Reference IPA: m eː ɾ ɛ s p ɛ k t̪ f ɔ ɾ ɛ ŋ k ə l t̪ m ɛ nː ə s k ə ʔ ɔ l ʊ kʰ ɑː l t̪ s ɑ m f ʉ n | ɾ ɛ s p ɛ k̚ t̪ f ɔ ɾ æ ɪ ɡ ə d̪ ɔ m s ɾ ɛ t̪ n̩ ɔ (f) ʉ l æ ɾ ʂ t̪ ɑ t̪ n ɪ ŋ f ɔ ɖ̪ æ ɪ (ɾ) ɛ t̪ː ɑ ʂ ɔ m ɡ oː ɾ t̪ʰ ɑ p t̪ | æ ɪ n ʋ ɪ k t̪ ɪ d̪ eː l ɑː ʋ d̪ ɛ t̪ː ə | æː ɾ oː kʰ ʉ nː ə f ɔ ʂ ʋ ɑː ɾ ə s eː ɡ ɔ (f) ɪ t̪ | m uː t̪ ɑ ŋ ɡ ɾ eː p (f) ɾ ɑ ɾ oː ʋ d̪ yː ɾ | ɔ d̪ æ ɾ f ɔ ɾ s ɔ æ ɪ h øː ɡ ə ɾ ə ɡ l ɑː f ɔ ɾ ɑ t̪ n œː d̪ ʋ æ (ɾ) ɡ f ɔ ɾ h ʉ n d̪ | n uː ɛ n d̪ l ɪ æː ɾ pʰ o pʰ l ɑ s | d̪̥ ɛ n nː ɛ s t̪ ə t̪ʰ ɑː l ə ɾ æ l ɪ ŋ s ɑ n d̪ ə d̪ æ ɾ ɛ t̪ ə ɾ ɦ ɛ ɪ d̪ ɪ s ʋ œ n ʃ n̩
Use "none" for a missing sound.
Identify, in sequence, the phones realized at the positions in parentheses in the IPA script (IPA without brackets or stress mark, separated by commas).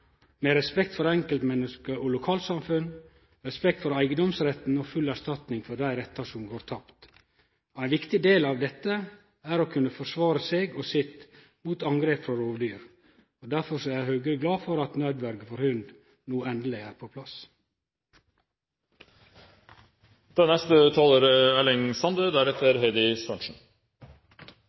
f, ɾ, s, f, ɾ